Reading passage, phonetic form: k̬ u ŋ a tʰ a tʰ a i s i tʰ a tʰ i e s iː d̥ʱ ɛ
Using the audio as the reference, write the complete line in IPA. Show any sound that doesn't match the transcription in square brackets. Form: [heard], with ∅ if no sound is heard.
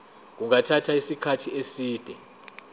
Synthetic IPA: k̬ u ŋ a tʰ a tʰ a i s i [kʰ] a tʰ i e s iː d̥ʱ ɛ